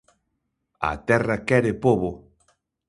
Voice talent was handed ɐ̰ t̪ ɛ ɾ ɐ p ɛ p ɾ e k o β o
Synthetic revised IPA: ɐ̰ t̪ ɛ r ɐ k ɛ ɾ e p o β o